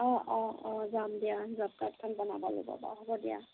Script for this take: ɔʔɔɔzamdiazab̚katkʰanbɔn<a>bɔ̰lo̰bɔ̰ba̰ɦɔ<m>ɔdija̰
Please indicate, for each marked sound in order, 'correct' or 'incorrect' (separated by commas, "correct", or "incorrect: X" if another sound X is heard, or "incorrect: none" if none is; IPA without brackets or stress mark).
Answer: correct, incorrect: b